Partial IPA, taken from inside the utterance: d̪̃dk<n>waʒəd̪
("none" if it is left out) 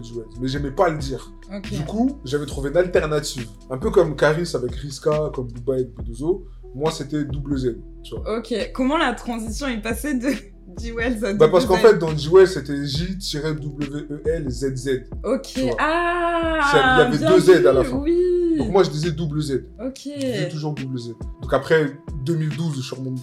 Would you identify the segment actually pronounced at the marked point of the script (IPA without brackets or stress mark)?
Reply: m